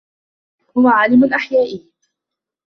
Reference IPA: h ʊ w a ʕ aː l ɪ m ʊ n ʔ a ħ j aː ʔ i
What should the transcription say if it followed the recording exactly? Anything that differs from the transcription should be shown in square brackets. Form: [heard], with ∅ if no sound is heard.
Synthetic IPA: h ʊ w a ʕ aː l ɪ m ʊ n ʔ a ħ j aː ʔ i